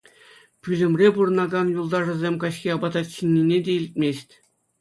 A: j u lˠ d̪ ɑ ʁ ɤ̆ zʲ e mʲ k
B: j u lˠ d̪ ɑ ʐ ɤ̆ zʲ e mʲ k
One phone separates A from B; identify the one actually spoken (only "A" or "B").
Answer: B